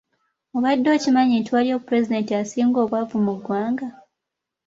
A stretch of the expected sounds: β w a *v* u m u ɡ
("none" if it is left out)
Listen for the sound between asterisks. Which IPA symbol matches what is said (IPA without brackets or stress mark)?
v